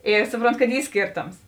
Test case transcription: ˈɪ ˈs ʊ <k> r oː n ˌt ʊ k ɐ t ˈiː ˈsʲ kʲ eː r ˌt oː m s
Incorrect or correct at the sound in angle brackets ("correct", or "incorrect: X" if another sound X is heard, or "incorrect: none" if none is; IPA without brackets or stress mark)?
incorrect: p